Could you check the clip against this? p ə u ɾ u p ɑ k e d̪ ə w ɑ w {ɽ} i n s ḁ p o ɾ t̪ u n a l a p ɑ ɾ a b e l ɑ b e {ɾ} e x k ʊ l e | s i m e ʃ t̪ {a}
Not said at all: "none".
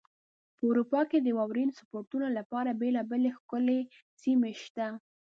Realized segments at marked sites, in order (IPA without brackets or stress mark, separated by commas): ɾ, l, a